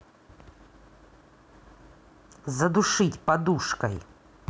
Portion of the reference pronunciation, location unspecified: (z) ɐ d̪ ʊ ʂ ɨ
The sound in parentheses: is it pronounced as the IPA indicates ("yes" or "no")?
yes